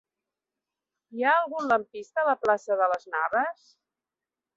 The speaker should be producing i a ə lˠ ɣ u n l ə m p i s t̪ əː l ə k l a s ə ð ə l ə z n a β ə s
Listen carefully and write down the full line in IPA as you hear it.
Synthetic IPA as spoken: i a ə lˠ ɣ u n l ə m p i s t̪ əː l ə p l a s ə ð ə l ə z n a β ə s